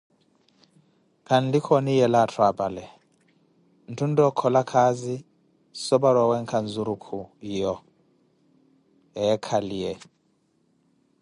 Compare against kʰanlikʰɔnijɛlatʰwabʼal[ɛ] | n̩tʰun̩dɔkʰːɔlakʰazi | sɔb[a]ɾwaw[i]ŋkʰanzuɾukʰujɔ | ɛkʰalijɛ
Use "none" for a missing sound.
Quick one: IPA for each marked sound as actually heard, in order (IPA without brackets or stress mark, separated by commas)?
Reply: ɛ, a, ɛ